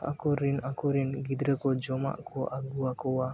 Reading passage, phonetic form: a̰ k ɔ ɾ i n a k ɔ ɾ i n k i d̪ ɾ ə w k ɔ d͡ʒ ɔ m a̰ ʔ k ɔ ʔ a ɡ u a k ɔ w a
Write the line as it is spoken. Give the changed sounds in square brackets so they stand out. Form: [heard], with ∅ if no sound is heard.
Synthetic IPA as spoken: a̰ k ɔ ɾ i n a k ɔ ɾ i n [ɡ] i d̪ ɾ ə [∅] k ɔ d͡ʒ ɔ m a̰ ʔ k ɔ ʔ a ɡ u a k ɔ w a